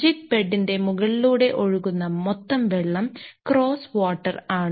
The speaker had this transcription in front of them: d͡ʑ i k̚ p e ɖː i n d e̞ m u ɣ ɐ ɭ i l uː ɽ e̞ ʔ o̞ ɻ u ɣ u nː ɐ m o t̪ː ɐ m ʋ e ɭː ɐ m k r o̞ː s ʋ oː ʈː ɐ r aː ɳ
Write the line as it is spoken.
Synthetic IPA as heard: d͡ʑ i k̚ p e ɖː i n d e̞ m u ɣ ɐ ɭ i l uː ɽ e̞ ʔ o̞ ɻ u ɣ u nː ɐ m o t̪ː ɐ m ʋ e ɭː ɐ m k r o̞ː s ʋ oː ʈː ɐ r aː ɳ